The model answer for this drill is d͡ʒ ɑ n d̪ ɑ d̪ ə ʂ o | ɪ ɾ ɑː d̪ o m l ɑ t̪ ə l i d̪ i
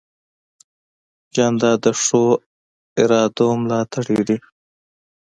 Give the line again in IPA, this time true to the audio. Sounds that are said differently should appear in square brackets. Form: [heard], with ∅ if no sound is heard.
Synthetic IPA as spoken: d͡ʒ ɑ n d̪ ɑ d̪ ə ʂ o | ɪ ɾ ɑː d̪ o m l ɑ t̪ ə [ɽ] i d̪ i